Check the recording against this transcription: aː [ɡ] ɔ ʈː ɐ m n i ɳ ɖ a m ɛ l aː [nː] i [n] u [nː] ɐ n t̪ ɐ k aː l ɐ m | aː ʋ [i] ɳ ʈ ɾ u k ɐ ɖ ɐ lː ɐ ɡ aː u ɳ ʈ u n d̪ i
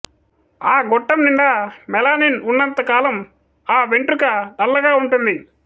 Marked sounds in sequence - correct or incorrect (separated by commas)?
correct, incorrect, correct, correct, incorrect